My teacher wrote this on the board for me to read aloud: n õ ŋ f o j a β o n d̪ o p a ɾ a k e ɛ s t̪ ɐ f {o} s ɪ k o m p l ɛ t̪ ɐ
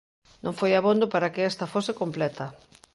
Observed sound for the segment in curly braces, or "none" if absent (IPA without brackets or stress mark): o